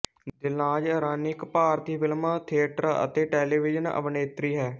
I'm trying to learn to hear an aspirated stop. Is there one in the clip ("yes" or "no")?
yes